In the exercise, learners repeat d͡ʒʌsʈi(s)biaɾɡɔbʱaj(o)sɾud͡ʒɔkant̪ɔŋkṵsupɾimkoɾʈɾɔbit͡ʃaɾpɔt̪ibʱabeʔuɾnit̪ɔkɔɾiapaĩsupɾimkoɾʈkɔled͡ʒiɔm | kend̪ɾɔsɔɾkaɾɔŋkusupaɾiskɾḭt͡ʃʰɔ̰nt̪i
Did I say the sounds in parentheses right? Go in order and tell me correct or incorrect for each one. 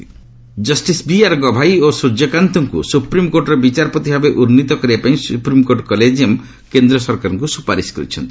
correct, correct

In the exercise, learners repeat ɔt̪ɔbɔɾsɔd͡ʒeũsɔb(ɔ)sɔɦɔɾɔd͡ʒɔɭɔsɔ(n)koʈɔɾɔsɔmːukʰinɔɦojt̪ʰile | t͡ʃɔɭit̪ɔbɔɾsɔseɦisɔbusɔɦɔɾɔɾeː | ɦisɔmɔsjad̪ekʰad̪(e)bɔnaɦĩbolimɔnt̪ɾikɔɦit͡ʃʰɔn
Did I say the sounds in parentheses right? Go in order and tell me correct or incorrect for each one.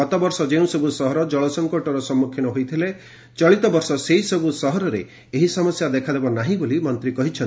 incorrect: u, incorrect: ŋ, correct

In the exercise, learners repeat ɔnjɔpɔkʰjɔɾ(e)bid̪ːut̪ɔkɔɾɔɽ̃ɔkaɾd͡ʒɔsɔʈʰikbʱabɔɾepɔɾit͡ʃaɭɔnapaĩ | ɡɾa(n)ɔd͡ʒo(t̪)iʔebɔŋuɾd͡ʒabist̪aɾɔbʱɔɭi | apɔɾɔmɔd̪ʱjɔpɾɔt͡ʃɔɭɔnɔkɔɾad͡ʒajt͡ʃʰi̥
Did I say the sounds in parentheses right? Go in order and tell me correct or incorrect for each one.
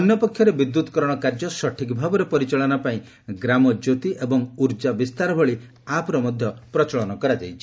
correct, incorrect: m, correct

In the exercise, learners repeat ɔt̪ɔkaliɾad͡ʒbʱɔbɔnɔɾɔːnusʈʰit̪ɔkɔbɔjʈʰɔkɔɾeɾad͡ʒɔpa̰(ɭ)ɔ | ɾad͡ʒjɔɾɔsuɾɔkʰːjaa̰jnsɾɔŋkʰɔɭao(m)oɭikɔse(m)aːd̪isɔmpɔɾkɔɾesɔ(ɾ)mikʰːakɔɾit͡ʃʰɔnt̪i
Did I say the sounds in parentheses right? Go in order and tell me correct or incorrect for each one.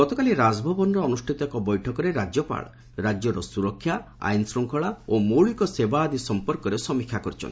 correct, correct, incorrect: b, incorrect: none

